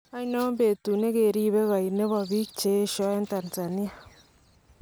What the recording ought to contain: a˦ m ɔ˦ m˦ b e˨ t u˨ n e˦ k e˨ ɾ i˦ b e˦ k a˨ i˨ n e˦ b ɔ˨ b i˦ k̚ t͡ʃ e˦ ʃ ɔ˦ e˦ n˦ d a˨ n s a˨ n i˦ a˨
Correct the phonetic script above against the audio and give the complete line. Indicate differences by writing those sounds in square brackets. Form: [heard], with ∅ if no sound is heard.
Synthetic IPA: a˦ [n] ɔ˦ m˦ b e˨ t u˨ n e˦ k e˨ ɾ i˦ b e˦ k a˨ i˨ n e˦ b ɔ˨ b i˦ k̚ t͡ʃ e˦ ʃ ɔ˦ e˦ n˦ [t] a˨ n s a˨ n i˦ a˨